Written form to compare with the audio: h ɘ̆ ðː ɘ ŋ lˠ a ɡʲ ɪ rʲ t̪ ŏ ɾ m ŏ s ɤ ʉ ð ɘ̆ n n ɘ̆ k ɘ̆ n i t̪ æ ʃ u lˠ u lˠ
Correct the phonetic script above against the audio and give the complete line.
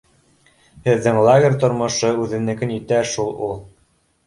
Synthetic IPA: h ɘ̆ ðː ɘ ŋ lˠ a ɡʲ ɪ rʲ t̪ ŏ ɾ m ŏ ʃ ɤ ʉ ð ɘ̆ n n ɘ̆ k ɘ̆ n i t̪ æ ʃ u lˠ u lˠ